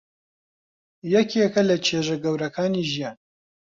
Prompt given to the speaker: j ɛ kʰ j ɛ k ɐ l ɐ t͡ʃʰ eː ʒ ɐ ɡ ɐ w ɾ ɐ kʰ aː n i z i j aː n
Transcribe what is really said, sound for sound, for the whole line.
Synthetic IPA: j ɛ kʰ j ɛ k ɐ l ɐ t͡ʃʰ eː ʒ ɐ ɡ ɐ w ɾ ɐ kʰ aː n i ʒ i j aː n